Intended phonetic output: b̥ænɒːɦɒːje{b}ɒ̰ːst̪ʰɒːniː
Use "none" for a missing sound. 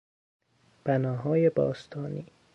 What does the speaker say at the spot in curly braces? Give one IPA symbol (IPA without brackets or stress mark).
b